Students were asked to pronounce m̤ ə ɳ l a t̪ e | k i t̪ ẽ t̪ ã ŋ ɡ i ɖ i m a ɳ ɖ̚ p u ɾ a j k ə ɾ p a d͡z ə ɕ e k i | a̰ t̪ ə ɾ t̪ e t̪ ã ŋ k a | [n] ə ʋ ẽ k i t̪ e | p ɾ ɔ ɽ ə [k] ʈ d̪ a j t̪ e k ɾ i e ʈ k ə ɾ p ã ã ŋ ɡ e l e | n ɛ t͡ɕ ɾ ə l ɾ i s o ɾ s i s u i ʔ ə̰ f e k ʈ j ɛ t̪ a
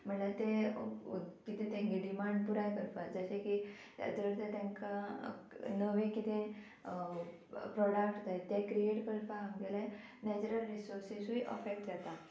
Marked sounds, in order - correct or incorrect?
correct, correct

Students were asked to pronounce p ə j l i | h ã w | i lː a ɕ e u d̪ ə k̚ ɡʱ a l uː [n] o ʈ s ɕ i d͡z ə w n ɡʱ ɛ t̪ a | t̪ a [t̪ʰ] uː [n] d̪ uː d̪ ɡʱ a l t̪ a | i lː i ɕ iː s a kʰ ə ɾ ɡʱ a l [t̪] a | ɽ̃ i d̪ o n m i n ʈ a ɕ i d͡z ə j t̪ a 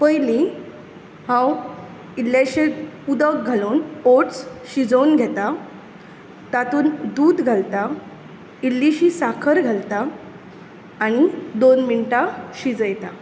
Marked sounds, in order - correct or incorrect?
correct, incorrect: t̪, correct, correct

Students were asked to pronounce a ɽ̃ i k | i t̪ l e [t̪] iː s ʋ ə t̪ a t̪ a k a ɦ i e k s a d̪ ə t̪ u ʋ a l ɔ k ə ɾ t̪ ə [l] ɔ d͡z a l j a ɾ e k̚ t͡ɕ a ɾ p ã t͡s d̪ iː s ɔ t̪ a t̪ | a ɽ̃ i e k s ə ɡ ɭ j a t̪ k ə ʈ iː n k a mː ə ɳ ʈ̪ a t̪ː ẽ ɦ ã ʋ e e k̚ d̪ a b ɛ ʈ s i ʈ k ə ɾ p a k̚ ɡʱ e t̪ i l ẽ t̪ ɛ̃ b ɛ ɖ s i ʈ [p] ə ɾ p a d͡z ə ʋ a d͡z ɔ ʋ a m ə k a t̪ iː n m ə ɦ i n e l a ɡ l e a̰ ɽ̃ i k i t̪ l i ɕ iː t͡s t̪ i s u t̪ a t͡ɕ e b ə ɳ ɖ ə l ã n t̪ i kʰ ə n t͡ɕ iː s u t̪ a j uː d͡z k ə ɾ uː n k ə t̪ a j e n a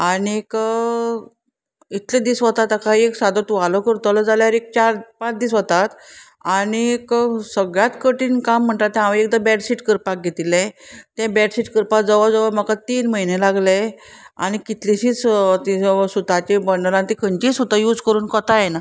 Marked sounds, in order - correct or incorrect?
incorrect: d̪, correct, incorrect: k

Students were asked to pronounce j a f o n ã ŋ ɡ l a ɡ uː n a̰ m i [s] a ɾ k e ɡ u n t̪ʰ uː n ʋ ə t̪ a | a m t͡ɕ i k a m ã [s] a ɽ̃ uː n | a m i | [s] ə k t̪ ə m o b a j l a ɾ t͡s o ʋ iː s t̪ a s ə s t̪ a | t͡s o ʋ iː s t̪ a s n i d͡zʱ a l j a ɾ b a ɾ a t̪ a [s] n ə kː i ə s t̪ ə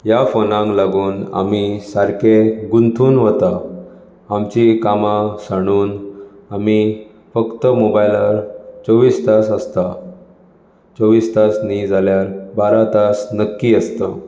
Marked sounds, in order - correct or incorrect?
correct, correct, incorrect: f, correct

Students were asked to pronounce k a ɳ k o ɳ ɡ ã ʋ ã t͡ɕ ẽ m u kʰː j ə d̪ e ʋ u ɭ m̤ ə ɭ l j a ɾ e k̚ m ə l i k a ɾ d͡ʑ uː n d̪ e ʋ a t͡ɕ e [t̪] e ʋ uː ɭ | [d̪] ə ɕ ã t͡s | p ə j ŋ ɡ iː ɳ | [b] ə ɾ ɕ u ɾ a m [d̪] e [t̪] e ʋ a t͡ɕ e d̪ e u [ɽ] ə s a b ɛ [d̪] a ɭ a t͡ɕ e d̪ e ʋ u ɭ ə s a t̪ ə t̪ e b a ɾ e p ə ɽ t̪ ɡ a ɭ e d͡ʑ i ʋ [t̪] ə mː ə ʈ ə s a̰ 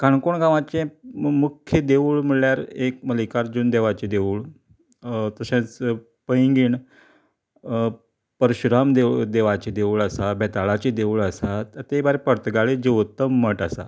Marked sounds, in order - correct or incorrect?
incorrect: d̪, incorrect: t̪, incorrect: p, correct, incorrect: d̪, incorrect: ɭ, incorrect: t̪, correct

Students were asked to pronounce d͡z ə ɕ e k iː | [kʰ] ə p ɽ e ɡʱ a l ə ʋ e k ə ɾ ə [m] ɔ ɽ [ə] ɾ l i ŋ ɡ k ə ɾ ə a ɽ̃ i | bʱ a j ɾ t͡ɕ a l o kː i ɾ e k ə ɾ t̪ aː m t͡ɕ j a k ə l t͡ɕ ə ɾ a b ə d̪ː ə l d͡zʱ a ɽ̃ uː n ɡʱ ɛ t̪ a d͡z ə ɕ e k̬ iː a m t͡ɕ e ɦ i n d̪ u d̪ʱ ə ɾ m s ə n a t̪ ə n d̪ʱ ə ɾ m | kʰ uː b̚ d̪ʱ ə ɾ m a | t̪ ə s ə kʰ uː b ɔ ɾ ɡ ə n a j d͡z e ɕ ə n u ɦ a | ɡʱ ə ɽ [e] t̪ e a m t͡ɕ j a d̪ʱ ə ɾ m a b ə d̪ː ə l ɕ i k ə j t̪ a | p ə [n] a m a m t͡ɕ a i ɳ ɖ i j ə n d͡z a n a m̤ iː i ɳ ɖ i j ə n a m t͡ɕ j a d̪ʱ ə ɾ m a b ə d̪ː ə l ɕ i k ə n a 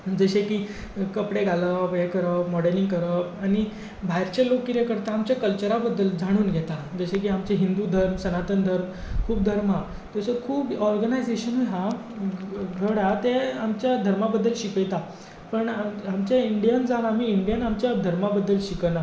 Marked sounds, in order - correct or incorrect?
incorrect: k, correct, correct, incorrect: a, incorrect: ɳ

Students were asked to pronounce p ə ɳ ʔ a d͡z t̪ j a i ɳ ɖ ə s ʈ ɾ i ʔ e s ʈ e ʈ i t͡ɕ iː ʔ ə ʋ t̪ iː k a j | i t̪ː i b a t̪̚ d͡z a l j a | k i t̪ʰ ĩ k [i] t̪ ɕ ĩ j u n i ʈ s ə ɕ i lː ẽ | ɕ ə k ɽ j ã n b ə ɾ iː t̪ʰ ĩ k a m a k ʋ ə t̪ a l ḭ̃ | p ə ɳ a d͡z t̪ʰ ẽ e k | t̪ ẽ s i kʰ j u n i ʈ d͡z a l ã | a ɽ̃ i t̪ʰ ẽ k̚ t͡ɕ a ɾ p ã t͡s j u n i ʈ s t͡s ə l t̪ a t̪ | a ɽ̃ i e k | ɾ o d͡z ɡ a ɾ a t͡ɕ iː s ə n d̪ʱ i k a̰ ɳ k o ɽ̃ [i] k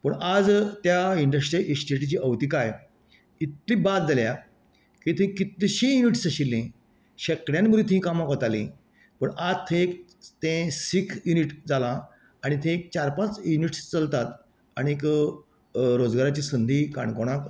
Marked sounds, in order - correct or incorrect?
correct, incorrect: a

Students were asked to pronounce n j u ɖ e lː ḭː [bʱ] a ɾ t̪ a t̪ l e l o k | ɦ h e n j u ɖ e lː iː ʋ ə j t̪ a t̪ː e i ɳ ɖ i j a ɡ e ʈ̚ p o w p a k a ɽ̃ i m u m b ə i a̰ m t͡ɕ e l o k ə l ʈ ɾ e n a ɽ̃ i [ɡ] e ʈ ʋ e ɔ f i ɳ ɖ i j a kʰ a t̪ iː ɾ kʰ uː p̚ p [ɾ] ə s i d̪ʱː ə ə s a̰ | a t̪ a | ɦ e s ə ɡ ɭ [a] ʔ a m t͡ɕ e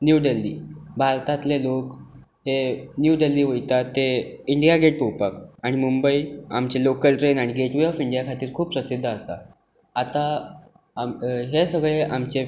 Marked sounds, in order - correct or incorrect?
correct, correct, correct, incorrect: e

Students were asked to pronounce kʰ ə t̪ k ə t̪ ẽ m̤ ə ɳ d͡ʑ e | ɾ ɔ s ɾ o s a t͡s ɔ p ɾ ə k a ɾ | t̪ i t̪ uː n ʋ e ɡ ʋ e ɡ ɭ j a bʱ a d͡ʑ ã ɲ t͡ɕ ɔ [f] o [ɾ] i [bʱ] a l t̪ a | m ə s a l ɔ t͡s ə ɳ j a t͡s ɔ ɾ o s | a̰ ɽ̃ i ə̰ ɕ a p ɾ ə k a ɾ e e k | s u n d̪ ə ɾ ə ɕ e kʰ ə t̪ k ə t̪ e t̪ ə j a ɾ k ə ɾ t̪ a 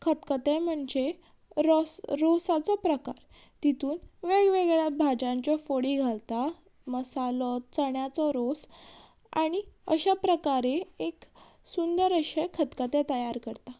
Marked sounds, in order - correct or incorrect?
correct, incorrect: ɽ, incorrect: ɡʱ

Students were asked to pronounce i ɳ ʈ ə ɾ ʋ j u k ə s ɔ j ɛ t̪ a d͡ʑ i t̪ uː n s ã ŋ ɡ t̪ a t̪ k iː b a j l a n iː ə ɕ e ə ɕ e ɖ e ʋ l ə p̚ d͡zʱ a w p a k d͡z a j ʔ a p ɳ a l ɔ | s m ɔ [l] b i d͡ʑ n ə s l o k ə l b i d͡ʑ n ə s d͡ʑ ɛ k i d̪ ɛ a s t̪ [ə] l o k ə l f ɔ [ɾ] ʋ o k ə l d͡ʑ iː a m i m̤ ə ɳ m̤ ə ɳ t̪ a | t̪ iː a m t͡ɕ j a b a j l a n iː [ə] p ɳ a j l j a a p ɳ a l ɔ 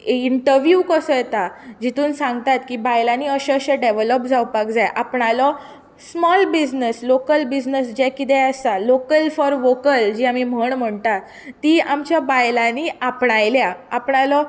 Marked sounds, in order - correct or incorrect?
correct, incorrect: a, correct, incorrect: a

